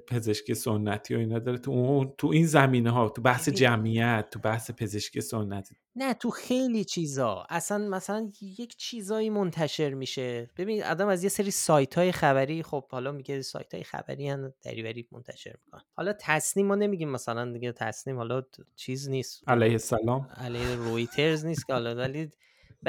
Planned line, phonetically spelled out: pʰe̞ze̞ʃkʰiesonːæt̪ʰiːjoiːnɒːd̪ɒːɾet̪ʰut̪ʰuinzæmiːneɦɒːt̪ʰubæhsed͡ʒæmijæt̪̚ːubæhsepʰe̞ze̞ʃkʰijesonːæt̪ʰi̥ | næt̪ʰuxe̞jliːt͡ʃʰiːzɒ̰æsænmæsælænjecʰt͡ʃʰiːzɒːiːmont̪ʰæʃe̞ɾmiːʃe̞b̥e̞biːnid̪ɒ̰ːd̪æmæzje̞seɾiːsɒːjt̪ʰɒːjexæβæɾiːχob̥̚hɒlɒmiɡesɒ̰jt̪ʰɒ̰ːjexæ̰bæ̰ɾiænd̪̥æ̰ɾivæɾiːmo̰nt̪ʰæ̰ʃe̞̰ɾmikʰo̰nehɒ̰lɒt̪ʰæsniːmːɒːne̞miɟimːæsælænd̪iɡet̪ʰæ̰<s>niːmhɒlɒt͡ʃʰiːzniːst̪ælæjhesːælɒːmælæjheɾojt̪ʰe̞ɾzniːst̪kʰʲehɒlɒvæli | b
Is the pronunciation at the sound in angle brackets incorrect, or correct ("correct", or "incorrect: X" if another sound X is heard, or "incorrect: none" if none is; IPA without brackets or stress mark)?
correct